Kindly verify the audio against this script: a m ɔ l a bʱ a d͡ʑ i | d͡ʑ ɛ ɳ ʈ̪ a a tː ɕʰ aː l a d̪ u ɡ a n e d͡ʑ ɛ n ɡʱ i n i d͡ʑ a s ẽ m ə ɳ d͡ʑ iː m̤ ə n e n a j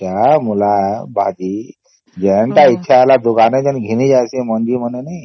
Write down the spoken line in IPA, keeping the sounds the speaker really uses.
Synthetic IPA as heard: a m u l a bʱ a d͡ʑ i | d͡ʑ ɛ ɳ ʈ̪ a i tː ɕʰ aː l a d̪ u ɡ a n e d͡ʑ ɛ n ɡʱ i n i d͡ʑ a s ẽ m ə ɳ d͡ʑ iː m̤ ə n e n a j